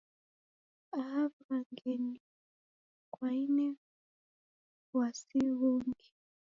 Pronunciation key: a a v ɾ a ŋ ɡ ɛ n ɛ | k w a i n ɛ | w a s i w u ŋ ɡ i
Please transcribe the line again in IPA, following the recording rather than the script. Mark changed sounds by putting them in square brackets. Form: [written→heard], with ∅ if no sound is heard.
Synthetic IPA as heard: a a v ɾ a ŋ ɡ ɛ n [ɛ→i] | k w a i n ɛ | w a s i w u ŋ ɡ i

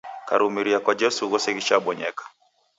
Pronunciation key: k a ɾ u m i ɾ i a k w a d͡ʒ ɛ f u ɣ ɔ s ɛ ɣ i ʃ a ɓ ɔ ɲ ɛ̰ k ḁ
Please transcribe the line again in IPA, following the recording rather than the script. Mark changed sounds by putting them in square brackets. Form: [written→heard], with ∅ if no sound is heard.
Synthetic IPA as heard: k a ɾ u m i ɾ i a k w a d͡ʒ ɛ [f→s] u ɣ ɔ s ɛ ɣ i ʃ a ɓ ɔ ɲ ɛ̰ k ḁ

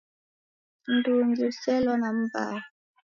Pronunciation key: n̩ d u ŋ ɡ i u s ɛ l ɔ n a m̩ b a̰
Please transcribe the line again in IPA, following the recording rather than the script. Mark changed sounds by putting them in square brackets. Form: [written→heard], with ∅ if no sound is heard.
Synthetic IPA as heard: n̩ d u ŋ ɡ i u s ɛ l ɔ n a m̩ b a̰

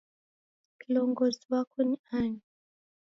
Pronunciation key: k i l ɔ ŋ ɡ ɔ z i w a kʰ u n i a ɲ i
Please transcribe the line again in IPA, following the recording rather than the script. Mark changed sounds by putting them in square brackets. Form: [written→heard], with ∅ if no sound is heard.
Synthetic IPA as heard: k i l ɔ ŋ ɡ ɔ z i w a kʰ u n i a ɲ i

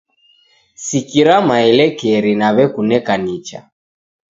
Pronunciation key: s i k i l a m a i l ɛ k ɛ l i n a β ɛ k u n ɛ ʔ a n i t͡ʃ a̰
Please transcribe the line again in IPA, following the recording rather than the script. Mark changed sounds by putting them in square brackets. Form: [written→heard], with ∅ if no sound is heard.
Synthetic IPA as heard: s i k i [l→ɾ] a m a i l ɛ k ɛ [l→ɾ] i n a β ɛ k u n ɛ [ʔ→k] a n i t͡ʃ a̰

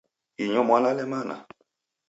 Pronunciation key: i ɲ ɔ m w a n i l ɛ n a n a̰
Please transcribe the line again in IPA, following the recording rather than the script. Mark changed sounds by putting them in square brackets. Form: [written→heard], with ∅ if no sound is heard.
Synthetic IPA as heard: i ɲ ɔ m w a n [i→a] l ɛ [n→m] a n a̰

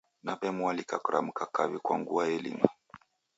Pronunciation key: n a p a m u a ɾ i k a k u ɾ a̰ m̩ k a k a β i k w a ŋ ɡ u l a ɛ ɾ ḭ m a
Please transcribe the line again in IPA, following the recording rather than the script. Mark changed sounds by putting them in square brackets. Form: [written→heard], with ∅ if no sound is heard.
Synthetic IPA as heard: n a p [a→ɛ] m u a [ɾ→l] i k a k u ɾ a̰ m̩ k a k a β i k w a ŋ ɡ u [l→∅] a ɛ [ɾ→l] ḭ m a

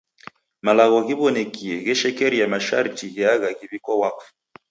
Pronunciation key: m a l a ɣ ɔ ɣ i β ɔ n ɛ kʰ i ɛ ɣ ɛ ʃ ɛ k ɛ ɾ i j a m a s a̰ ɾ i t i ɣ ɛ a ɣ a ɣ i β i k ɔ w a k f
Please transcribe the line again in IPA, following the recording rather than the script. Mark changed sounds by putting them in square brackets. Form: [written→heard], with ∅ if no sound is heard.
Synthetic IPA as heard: m a l a ɣ ɔ ɣ i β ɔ n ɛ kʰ i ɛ ɣ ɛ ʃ ɛ k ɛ ɾ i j a m a [s→ʃ] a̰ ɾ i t i ɣ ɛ a ɣ a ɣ i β i k ɔ w a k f

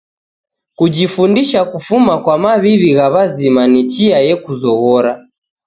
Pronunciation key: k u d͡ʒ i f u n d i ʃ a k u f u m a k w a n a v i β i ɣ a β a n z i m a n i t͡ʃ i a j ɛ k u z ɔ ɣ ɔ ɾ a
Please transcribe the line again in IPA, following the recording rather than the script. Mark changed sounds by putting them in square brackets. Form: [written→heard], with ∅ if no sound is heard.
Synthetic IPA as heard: k u d͡ʒ i f u n d i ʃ a k u f u m a k w a [n→m] a [v→β] i β i ɣ a β a [n→∅] z i m a n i t͡ʃ i a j ɛ k u z ɔ ɣ ɔ ɾ a

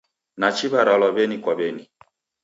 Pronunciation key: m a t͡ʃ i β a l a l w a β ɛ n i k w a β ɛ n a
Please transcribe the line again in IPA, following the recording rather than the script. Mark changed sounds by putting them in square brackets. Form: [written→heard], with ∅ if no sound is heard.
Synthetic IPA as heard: [m→n] a t͡ʃ i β a [l→ɾ] a l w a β ɛ n i k w a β ɛ n [a→i]

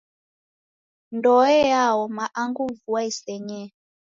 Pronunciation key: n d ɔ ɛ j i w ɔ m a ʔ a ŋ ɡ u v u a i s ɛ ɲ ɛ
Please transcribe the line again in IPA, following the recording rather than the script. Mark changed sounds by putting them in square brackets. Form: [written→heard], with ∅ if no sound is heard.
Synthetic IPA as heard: n d ɔ ɛ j [i→a] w ɔ m a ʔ a ŋ ɡ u v u a i s ɛ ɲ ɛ

